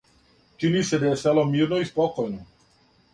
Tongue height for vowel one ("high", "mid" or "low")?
high